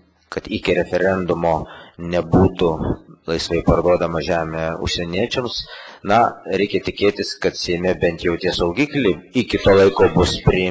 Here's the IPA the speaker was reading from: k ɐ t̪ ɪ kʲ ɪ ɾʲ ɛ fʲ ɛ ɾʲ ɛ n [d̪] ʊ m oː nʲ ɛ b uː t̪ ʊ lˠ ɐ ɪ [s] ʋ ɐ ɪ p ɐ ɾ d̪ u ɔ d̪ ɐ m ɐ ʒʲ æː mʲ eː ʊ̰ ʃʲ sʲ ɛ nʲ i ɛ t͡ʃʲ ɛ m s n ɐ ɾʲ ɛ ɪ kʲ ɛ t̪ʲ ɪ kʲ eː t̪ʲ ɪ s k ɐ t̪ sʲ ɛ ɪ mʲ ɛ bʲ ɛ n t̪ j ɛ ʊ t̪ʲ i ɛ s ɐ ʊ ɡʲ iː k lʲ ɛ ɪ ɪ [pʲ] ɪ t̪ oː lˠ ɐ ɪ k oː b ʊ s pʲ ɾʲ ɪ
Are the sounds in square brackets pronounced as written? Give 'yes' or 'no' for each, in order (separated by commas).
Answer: yes, yes, no